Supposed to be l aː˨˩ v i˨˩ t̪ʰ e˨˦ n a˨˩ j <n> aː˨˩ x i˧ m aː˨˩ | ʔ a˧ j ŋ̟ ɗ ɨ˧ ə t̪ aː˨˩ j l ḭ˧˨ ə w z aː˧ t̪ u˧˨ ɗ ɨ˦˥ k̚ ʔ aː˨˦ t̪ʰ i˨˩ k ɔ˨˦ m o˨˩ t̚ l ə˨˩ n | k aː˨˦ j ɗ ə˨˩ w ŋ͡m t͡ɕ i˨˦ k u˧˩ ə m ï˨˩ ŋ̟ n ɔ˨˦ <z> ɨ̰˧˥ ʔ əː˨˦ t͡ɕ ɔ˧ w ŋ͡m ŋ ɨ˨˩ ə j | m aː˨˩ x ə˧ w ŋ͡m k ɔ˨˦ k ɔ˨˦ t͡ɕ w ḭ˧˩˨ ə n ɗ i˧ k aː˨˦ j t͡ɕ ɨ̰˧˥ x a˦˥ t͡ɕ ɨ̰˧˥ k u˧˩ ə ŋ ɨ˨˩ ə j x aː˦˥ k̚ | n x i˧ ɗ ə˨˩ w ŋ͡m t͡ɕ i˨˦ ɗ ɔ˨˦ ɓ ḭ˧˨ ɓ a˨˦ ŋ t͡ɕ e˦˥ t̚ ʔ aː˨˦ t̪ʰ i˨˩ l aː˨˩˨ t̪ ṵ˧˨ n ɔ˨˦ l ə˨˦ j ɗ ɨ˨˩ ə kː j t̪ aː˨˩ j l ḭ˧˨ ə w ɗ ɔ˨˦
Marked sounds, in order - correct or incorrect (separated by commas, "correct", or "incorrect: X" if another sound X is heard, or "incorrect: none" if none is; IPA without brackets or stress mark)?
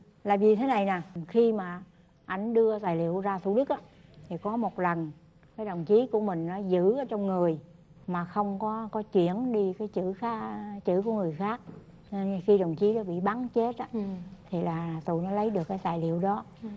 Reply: correct, correct